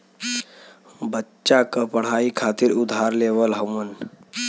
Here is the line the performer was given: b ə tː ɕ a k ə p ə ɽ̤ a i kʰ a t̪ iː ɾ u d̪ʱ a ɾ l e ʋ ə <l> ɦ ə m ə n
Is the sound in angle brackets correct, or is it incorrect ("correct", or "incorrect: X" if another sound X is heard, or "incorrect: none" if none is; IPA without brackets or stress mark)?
correct